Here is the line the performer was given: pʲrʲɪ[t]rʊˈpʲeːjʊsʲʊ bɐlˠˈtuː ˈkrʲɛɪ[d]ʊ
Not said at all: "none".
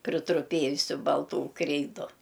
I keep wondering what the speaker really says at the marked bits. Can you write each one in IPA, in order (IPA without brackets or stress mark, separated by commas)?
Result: t, d